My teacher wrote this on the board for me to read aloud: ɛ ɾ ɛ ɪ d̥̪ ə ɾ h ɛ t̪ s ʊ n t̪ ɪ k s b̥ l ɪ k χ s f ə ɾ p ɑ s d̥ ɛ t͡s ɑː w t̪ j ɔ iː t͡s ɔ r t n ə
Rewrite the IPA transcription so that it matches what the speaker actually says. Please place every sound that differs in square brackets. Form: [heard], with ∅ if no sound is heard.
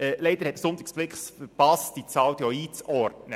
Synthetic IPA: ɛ [l] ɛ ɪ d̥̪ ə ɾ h ɛ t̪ s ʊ n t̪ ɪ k s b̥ l ɪ k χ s f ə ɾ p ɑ s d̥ [i] t͡s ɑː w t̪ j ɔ iː t͡s ɔ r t n ə